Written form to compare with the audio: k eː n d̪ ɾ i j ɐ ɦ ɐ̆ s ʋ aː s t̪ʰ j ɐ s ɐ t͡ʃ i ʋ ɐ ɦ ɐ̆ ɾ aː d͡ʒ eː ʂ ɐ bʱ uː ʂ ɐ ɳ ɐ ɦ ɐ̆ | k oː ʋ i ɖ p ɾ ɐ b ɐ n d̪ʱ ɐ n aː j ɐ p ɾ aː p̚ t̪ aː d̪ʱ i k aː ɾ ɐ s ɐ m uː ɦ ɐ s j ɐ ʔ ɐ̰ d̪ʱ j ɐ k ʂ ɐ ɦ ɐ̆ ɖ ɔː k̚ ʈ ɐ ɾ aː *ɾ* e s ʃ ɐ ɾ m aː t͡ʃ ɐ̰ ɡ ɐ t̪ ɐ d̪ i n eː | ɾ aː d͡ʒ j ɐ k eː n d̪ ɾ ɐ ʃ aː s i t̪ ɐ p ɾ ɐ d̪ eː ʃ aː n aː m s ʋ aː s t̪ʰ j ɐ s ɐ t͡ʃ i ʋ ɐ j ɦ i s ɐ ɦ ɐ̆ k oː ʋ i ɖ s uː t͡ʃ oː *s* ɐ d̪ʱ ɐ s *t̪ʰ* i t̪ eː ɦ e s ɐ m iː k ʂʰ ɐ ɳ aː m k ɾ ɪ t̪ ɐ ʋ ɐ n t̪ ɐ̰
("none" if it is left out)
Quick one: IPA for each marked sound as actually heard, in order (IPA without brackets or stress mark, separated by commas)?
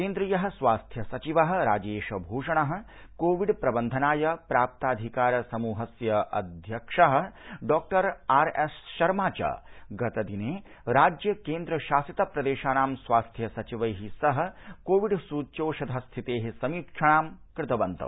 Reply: ɾ, ʃ, t̪ʰ